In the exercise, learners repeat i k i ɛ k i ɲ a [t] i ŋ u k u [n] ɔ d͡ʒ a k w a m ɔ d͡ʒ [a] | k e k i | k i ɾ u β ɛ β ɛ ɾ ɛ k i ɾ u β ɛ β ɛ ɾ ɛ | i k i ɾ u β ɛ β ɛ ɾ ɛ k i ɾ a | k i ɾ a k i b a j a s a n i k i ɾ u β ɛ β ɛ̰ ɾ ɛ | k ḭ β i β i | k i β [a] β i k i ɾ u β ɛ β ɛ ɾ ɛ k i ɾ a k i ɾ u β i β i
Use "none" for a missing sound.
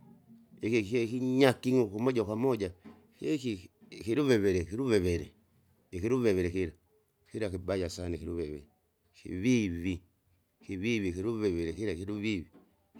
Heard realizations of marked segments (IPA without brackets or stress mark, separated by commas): k, m, a, i